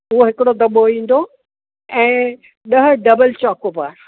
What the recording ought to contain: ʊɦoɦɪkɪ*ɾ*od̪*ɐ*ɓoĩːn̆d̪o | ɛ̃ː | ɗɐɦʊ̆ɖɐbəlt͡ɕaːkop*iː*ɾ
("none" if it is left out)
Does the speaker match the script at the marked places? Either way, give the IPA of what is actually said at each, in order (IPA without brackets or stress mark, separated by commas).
ɽ, ɐ, aː